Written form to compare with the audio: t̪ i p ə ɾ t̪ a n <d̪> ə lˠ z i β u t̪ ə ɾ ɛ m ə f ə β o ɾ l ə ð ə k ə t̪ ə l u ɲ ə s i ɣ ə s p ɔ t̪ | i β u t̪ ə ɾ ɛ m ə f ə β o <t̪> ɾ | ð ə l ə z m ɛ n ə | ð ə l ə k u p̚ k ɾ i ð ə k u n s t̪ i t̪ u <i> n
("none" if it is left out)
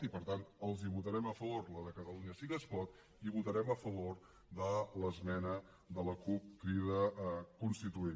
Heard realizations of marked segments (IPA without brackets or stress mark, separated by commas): t̪, none, e